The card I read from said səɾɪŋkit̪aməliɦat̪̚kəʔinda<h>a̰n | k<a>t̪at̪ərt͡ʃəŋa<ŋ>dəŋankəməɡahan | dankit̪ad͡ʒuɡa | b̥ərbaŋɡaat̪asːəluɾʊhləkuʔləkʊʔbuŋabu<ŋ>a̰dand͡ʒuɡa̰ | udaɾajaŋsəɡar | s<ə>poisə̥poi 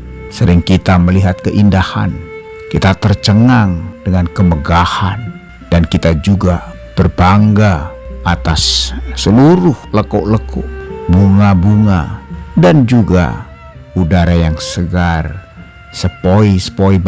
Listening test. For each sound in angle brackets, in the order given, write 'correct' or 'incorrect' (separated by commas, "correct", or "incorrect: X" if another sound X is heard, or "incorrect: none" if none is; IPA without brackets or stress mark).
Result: correct, incorrect: i, correct, correct, correct